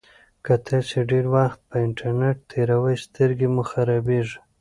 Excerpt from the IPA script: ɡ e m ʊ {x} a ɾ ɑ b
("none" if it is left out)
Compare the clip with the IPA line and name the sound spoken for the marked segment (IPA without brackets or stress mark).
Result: x